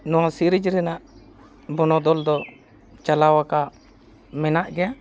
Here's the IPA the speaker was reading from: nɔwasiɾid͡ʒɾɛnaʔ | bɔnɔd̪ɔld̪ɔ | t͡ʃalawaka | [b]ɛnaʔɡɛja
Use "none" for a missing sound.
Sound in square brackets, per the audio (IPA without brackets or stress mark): m